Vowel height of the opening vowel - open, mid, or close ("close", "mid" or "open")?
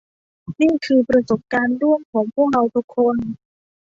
close